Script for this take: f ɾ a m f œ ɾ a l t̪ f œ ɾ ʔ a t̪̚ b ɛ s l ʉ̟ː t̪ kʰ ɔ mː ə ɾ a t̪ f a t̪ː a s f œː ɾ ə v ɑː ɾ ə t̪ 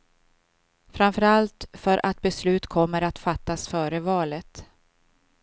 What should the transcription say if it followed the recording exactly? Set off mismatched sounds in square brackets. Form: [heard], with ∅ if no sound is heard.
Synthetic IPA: f ɾ a m f œ ɾ a l t̪ f œ ɾ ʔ a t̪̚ b ɛ s l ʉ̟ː t̪ kʰ ɔ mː ə ɾ a t̪ f a t̪ː a s f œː ɾ ə v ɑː [l] ə t̪